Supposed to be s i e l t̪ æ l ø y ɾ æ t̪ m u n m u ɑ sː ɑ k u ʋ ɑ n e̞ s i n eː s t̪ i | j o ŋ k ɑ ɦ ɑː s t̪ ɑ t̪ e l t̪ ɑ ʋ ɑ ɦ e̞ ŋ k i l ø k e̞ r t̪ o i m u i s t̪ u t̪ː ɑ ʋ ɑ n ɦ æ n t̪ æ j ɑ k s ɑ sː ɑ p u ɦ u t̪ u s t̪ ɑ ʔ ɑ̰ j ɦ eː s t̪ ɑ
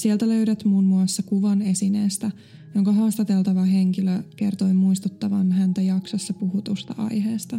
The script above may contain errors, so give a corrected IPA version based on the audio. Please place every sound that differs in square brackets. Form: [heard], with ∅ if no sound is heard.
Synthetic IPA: s i e l t̪ æ l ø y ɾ æ t̪ m u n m u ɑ sː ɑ k u ʋ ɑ n e̞ s i n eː s t̪ [æ] | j o ŋ k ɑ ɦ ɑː s t̪ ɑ t̪ e l t̪ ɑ ʋ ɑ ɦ e̞ ŋ k i l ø k e̞ r t̪ o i m u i s t̪ u t̪ː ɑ ʋ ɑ n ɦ æ n t̪ æ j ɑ k s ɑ sː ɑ p u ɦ u t̪ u s t̪ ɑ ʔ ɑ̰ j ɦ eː s t̪ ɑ